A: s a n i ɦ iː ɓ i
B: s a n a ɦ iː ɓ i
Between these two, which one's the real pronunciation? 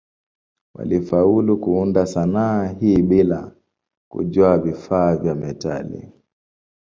B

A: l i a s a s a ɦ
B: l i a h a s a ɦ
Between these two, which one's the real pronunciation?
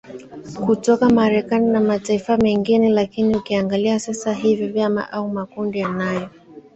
A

